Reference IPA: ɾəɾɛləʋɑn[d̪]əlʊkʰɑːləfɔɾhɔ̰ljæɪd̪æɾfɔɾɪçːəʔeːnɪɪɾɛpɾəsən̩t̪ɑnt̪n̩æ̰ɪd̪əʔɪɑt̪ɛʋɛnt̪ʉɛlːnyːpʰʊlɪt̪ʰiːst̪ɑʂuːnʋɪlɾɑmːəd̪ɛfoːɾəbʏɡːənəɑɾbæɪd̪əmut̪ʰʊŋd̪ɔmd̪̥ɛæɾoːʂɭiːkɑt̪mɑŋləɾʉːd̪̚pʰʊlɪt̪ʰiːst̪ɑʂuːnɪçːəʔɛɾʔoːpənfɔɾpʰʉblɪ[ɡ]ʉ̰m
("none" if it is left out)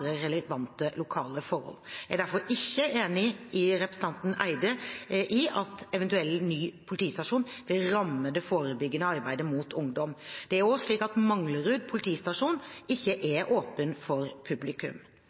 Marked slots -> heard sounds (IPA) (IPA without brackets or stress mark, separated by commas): t̪, k